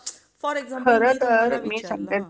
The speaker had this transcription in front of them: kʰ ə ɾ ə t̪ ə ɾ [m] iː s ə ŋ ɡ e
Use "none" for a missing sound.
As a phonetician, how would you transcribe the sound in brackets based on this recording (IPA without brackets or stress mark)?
m